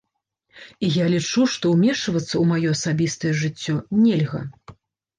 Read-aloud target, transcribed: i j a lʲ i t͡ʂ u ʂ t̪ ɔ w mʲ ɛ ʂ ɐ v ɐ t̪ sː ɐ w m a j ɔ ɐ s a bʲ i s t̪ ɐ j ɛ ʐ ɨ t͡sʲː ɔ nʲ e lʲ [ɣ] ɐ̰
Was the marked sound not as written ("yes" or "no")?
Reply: no